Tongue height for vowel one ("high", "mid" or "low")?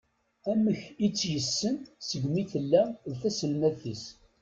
low